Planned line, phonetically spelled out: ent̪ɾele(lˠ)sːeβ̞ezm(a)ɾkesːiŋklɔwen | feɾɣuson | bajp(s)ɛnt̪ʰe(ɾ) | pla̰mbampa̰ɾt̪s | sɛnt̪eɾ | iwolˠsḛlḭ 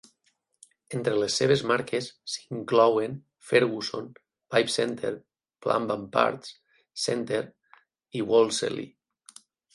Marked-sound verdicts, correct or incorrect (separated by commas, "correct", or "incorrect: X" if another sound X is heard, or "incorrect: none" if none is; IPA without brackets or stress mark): incorrect: none, correct, correct, correct